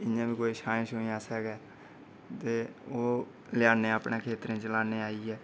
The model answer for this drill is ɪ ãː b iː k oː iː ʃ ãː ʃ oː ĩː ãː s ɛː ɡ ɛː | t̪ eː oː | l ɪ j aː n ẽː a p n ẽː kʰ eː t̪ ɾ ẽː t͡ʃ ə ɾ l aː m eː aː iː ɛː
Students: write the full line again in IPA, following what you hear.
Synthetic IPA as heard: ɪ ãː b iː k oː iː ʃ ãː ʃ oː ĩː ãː s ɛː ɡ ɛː | t̪ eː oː | l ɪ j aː n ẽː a p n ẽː kʰ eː t̪ ɾ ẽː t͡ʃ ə l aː n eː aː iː ɛː